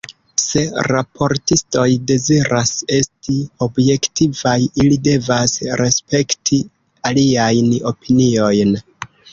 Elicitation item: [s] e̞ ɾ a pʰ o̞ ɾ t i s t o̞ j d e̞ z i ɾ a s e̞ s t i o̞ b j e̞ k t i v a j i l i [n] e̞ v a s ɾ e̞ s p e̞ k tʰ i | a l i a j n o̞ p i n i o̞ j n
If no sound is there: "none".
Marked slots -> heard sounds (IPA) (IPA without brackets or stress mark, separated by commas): s, d